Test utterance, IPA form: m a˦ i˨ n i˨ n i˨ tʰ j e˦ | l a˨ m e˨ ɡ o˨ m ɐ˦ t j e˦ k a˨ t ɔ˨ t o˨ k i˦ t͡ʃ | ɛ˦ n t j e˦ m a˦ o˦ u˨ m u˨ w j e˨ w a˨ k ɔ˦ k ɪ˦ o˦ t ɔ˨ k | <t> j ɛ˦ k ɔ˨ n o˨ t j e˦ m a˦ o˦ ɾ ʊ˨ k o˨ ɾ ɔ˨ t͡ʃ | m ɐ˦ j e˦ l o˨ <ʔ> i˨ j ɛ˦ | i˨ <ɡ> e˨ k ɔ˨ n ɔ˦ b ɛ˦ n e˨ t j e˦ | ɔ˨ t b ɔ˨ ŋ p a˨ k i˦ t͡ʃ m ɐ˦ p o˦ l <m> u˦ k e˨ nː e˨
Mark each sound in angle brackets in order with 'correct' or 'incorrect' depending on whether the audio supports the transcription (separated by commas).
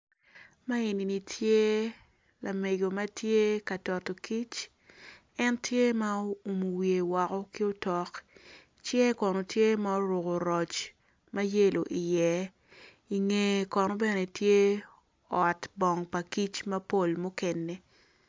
incorrect, correct, incorrect, correct